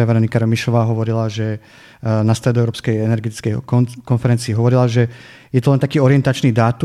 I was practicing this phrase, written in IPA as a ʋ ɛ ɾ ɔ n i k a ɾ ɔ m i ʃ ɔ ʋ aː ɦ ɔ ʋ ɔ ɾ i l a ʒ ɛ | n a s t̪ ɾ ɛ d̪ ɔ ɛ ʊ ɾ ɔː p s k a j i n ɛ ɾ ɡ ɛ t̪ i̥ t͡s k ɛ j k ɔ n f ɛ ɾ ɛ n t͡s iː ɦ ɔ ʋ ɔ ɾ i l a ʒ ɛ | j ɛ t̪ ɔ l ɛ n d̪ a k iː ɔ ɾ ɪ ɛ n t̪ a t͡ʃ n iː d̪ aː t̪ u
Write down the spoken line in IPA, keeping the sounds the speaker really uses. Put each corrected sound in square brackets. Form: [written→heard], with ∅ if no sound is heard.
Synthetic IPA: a ʋ ɛ ɾ ɔ n i k a ɾ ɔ m i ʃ ɔ ʋ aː ɦ ɔ ʋ ɔ ɾ i l a ʒ ɛ | n a s t̪ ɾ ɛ d̪ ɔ ɛ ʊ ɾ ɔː p s k [a→ɛ] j [i→ɛ] n ɛ ɾ ɡ ɛ t̪ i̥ t͡s k ɛ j k ɔ n f ɛ ɾ ɛ n t͡s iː ɦ ɔ ʋ ɔ ɾ i l a ʒ ɛ | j ɛ t̪ ɔ l ɛ n [d̪→t̪] a k iː ɔ ɾ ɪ ɛ n t̪ a t͡ʃ n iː d̪ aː t̪ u